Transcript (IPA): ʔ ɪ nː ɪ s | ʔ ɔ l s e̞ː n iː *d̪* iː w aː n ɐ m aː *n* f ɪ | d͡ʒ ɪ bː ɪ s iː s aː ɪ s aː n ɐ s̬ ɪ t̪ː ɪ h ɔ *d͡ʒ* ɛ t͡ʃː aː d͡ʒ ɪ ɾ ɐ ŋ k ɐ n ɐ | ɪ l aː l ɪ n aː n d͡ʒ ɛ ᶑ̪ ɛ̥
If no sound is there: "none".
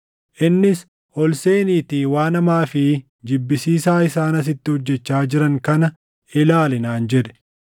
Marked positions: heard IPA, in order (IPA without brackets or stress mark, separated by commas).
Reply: t̪, none, d͡ʒː